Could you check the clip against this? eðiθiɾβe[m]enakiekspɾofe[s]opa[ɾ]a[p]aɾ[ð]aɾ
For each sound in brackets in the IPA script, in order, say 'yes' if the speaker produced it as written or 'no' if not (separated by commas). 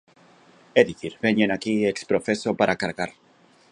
no, yes, yes, no, no